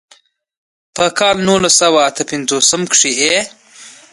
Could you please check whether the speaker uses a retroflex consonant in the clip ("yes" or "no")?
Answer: yes